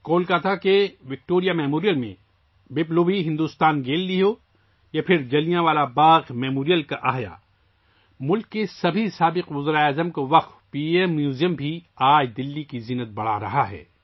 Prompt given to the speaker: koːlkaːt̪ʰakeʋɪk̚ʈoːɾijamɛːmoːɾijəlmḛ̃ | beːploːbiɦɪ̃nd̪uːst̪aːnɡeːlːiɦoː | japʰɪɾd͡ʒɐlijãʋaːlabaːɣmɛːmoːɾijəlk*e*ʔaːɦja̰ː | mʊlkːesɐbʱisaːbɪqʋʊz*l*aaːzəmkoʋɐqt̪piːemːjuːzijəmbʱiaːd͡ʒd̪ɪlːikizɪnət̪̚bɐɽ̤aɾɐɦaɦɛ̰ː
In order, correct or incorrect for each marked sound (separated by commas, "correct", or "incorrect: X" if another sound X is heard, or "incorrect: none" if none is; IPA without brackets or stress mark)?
incorrect: a, incorrect: ɾ